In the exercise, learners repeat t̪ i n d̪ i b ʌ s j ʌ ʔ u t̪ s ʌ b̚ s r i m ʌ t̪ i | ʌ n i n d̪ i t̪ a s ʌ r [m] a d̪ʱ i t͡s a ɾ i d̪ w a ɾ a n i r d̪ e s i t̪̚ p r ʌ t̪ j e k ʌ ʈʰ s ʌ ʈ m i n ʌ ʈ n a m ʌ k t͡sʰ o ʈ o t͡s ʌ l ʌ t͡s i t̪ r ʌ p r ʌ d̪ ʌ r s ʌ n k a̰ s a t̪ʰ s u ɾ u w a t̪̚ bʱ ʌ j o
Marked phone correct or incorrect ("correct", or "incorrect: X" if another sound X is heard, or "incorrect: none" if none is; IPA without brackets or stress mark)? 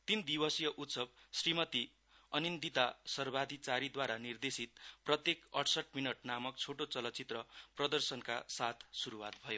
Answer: incorrect: b